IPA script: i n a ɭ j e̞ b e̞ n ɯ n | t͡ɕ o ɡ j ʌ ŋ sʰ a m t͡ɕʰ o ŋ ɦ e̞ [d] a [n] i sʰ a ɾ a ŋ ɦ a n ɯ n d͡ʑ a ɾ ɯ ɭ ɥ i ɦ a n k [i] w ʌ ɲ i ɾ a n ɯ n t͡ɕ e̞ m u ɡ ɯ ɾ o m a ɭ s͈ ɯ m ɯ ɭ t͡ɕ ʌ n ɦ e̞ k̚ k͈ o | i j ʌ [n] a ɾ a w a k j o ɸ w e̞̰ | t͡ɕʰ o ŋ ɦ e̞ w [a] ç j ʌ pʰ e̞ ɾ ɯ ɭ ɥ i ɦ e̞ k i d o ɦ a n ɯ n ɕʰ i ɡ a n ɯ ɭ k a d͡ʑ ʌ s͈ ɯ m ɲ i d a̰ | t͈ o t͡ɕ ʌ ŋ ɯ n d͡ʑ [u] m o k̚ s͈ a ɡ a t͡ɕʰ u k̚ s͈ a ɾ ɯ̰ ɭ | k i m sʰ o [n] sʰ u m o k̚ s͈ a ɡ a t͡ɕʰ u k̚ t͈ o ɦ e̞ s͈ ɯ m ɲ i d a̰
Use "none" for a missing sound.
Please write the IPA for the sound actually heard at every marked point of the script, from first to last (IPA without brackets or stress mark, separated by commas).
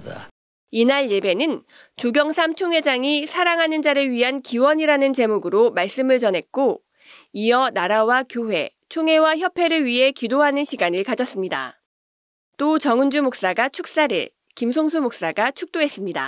d͡ʑ, ŋ, i, n, a, u, ŋ